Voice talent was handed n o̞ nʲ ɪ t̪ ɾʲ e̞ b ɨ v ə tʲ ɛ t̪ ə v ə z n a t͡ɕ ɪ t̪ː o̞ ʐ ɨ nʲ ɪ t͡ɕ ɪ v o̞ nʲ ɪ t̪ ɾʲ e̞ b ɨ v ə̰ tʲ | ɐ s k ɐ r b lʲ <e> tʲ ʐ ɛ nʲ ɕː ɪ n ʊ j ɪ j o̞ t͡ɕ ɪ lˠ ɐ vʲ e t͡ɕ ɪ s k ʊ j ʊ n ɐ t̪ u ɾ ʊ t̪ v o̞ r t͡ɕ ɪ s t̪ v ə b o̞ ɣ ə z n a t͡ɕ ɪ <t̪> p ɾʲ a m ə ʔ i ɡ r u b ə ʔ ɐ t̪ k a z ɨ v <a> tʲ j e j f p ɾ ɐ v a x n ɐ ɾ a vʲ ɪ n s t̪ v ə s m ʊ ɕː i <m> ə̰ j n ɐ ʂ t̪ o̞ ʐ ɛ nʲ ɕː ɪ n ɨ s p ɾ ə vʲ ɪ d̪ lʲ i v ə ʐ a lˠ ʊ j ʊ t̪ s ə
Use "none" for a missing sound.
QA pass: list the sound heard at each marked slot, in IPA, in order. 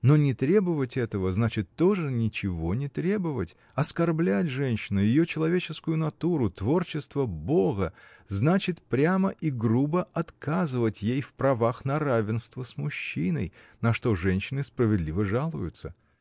æ, t̪, ə, n

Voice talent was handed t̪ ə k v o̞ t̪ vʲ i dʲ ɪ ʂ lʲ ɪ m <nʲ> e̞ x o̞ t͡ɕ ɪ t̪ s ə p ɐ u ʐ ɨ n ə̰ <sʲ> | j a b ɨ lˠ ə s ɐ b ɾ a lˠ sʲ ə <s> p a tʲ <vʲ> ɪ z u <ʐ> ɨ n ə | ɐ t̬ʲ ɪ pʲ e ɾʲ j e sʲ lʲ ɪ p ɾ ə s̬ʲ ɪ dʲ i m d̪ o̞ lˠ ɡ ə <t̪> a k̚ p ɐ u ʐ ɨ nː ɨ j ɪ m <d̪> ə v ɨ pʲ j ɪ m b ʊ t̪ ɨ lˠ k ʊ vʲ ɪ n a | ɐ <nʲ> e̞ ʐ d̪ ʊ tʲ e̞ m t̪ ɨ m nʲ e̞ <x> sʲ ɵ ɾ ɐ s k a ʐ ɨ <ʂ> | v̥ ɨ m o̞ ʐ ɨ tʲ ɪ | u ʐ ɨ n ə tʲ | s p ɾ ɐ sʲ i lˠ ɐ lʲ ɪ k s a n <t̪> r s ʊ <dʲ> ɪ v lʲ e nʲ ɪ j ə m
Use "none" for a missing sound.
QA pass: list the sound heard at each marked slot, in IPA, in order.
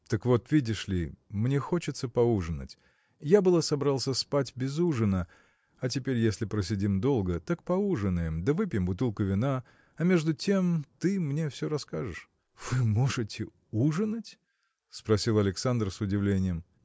nʲ, tʲ, s, bʲ, ʐ, t̪, d̪, mʲ, f, ʂ, d̪, dʲ

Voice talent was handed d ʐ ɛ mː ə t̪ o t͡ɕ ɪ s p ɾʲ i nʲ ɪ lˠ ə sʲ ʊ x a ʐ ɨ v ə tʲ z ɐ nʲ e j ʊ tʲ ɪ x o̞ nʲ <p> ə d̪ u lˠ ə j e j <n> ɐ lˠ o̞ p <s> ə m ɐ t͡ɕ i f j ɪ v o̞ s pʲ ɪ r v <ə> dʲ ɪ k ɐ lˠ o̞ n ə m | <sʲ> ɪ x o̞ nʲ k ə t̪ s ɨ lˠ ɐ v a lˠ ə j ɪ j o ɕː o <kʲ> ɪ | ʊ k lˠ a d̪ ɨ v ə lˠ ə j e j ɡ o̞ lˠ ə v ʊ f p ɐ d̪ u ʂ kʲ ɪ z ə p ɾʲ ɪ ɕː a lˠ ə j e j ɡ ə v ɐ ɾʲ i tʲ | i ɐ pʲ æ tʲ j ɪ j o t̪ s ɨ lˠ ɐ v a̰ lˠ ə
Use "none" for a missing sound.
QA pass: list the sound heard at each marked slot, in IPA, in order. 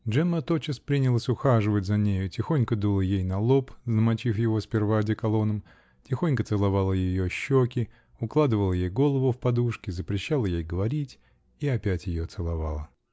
k, n, z, a, tʲ, kʲ

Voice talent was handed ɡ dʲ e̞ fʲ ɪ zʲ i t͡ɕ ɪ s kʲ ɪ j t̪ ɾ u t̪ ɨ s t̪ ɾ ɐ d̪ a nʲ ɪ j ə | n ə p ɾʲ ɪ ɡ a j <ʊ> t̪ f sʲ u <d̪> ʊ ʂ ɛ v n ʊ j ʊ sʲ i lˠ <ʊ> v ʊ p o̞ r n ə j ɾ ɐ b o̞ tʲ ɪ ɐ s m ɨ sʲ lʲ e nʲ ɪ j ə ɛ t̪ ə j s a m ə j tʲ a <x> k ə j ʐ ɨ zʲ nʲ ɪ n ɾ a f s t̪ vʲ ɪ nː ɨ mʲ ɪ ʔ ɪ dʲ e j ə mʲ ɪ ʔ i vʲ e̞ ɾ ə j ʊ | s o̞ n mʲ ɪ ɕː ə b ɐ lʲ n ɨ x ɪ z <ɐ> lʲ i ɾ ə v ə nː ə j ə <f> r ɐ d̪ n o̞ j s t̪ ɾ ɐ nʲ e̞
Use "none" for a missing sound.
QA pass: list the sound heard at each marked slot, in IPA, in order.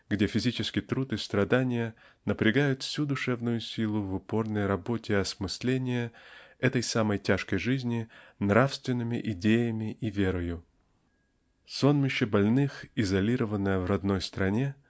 ʊ, d̪, ʊ, ʂ, ɐ, v

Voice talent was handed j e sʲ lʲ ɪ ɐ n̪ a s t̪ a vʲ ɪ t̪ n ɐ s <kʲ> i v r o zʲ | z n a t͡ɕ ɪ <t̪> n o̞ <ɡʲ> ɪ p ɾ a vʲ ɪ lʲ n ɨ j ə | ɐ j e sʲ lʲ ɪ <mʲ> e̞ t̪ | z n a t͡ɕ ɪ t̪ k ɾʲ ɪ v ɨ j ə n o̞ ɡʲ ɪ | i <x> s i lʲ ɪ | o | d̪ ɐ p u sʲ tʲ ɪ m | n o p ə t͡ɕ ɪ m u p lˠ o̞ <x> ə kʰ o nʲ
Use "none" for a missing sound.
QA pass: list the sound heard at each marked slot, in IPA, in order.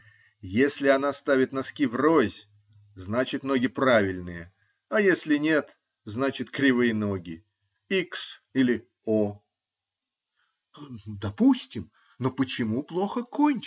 kʲ, t̪, ɡʲ, nʲ, k, x

